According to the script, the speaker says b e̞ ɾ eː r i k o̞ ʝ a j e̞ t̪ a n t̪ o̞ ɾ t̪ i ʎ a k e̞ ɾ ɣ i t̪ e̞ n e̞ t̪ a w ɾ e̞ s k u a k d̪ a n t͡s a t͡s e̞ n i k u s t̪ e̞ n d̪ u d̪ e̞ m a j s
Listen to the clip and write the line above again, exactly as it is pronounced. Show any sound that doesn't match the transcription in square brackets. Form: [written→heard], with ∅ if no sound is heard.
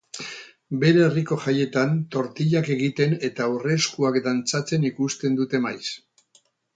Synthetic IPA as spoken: b e̞ ɾ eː r i k o̞ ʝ a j e̞ t̪ a n t̪ o̞ ɾ t̪ i ʎ a k e̞ [ɾ→∅] ɣ i t̪ e̞ n e̞ t̪ a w [ɾ→r] e̞ s k u a k d̪ a n t͡s a t͡s e̞ n i k u s t̪ e̞ n d̪ u [d̪→t̪] e̞ m a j s